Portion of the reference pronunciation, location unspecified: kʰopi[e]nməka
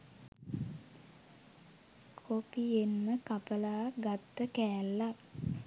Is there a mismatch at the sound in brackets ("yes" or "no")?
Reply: no